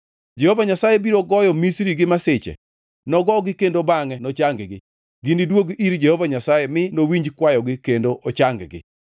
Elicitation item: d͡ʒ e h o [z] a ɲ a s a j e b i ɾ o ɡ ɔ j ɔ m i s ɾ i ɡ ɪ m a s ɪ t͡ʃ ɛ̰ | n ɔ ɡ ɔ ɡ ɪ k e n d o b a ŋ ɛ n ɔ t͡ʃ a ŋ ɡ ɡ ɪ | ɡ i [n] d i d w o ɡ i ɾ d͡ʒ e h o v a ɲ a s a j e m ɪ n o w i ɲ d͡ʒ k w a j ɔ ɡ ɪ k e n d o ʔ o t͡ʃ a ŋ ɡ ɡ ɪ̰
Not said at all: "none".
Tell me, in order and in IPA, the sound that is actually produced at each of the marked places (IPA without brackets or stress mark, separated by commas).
v, n